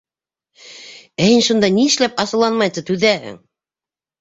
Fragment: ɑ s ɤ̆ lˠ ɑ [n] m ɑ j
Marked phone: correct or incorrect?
correct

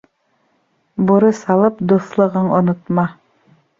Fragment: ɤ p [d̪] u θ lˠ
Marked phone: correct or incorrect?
correct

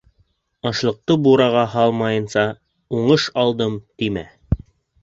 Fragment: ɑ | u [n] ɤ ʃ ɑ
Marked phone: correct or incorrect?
incorrect: ɴ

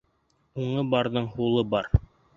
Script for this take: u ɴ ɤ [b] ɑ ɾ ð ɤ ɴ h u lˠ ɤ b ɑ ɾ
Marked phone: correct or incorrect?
correct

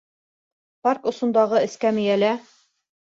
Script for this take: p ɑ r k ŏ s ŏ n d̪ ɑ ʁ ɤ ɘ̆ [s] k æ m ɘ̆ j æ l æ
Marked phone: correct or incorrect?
correct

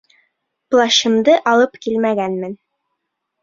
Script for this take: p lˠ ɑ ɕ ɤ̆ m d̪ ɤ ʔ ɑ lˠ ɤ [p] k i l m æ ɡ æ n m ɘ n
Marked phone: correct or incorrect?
correct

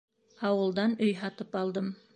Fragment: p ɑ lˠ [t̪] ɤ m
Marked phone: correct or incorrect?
incorrect: d̪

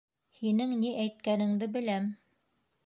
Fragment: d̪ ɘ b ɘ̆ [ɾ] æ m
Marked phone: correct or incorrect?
incorrect: l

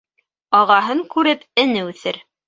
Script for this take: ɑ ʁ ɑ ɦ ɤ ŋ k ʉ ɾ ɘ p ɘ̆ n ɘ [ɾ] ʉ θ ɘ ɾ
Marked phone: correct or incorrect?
incorrect: none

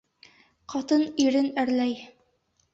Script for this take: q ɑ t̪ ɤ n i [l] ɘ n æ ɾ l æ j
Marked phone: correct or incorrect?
incorrect: ɾ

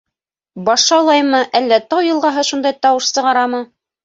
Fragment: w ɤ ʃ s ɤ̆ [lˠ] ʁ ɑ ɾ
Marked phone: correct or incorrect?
incorrect: none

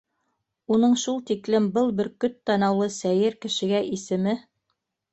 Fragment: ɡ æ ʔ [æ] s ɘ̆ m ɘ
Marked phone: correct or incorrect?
incorrect: i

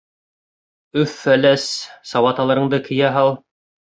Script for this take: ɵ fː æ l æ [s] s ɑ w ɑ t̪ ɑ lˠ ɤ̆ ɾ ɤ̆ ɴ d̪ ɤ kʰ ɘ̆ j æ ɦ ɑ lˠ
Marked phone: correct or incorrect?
correct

